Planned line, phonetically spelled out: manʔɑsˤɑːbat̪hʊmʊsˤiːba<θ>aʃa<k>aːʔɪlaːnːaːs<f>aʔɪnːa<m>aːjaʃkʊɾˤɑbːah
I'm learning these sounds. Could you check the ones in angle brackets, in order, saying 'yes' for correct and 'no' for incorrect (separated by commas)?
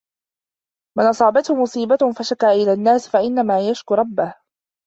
no, yes, yes, yes